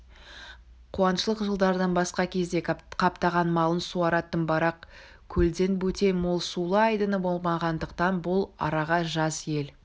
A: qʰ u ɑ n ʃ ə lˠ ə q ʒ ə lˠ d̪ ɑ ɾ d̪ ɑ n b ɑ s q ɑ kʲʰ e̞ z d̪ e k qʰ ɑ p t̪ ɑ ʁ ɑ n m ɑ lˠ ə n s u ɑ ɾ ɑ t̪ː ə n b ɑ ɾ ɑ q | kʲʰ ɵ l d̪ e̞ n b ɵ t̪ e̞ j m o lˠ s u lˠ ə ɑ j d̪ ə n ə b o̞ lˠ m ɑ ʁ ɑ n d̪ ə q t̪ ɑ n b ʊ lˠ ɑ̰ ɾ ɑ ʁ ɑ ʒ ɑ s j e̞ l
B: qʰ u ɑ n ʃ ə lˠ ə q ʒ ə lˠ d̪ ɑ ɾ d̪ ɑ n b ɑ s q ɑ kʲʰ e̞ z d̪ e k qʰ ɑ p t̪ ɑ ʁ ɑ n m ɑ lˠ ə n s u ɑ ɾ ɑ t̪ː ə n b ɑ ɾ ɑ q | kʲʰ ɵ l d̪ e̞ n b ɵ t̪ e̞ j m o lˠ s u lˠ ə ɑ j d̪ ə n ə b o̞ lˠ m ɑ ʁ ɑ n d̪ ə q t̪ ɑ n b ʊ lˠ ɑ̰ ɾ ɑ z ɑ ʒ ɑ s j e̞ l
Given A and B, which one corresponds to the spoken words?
A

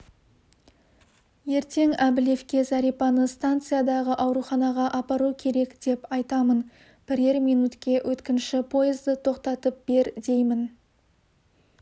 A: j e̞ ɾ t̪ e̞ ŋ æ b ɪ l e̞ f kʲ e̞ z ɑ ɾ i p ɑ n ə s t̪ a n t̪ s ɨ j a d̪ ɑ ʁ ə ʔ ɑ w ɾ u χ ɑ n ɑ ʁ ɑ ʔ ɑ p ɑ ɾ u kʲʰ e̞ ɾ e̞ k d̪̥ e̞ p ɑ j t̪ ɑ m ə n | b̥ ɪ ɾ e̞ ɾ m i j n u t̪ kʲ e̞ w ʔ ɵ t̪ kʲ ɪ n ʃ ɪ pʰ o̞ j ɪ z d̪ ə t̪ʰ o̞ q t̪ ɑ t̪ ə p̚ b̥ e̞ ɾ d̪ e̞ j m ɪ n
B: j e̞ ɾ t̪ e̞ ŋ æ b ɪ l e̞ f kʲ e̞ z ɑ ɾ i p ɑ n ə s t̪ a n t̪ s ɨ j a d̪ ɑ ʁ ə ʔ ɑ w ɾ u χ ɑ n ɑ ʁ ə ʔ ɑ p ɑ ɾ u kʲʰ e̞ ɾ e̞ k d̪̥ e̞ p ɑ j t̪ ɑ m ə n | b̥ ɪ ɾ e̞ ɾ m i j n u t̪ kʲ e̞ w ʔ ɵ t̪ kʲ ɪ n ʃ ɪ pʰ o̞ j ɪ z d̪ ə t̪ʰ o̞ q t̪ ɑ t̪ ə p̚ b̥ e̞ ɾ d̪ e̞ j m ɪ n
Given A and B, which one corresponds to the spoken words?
A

